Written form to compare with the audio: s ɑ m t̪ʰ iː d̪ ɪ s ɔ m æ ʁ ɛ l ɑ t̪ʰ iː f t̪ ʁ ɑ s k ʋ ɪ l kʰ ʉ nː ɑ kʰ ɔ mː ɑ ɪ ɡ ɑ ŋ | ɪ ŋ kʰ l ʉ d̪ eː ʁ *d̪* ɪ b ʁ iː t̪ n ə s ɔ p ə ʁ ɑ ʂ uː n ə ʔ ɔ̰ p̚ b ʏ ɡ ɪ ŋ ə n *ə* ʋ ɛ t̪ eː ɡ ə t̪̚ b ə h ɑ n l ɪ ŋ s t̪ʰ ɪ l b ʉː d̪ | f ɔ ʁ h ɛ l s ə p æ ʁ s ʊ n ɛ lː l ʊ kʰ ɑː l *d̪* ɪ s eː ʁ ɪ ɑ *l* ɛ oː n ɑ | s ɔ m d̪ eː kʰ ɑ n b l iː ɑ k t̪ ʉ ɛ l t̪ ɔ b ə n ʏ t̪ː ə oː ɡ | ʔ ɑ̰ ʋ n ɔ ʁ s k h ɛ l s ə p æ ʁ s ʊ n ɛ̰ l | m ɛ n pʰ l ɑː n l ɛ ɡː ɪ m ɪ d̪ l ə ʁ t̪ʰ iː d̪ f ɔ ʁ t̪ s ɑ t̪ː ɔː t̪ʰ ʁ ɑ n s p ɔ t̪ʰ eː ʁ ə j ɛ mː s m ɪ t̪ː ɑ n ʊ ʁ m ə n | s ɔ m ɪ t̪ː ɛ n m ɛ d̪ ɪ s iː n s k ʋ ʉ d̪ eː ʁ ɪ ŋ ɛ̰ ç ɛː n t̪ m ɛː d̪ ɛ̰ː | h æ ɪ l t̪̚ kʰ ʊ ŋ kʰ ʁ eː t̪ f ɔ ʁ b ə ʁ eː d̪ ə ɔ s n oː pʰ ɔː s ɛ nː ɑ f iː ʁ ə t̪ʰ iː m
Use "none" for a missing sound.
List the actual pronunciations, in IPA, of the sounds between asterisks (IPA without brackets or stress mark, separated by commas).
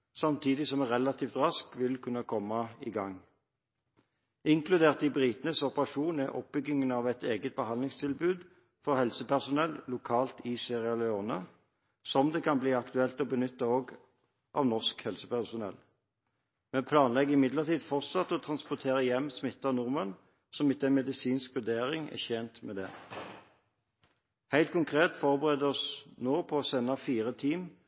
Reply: t̪, ɑ, t̪, l